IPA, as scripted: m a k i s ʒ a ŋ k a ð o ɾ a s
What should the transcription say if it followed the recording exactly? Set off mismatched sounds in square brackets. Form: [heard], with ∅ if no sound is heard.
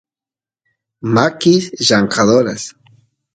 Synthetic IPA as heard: m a k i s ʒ a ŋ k a ð o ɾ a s

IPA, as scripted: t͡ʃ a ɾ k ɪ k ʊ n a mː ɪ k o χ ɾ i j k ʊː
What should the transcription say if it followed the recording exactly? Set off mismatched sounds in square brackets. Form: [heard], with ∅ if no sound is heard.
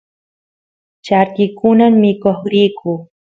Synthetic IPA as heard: t͡ʃ a ɾ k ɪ k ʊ n a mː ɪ k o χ ɾ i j k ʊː

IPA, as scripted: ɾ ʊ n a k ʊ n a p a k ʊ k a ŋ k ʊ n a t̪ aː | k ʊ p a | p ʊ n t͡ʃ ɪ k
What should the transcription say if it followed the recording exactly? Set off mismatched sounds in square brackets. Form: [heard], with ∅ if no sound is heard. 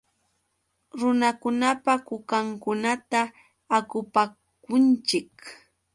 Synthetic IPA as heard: ɾ ʊ n a k ʊ n a p a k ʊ k a ŋ k ʊ n a t̪ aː | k ʊ p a | [k] ʊ n t͡ʃ ɪ k

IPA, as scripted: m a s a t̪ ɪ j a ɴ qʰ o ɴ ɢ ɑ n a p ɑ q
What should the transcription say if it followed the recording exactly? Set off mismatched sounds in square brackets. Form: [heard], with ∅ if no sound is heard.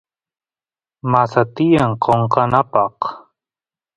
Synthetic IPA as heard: m a s a t̪ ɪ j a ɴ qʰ o ɴ [q] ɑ n a p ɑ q

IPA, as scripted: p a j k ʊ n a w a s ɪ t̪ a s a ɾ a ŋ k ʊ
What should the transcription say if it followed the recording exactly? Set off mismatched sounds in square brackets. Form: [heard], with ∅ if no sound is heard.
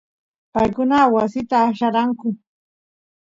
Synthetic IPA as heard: p a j k ʊ n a w a s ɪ t̪ a [ʃ] a ɾ a ŋ k ʊ

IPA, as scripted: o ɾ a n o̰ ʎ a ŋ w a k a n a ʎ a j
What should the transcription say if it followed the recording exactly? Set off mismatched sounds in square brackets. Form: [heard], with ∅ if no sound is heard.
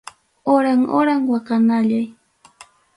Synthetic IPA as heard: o ɾ a [ŋ] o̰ [ɾ] a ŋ w a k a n a ʎ a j

